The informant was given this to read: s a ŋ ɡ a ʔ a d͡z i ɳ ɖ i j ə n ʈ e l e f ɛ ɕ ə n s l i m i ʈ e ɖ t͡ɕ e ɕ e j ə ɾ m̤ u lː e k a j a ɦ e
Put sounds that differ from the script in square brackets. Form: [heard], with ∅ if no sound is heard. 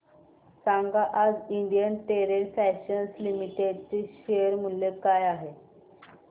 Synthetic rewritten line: s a ŋ ɡ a ʔ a d͡z i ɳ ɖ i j ə n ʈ e [ɾ] e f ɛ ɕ ə n s l i m i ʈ e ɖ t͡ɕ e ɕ e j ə ɾ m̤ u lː e k a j a ɦ e